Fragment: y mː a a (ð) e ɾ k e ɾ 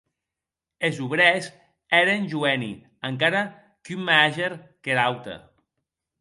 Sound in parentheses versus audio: incorrect: ʒ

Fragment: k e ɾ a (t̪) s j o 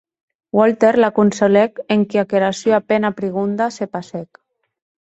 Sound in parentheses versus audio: incorrect: none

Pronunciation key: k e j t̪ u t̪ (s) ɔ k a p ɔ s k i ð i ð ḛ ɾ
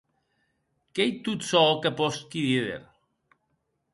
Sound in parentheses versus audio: correct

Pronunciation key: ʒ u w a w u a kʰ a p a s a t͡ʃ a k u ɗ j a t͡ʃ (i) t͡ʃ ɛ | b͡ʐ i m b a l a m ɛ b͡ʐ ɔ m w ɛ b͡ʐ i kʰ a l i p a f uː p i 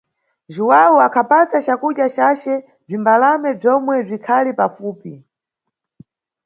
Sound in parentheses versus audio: incorrect: a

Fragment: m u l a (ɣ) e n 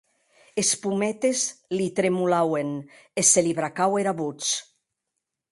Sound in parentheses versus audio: incorrect: w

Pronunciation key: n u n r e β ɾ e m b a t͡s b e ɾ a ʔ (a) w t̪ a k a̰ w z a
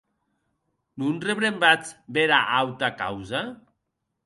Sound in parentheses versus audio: correct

